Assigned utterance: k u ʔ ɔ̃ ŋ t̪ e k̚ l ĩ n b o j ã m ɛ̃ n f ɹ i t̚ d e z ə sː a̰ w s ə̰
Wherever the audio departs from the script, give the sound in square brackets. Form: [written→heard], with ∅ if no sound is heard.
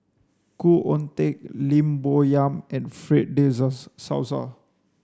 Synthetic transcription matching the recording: k u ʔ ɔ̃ [ŋ→n] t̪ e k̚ l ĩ [n→m] b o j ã m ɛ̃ n f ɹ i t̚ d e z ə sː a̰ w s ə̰